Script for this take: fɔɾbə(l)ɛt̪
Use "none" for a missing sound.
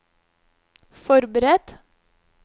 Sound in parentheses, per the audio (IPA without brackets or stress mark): ɾ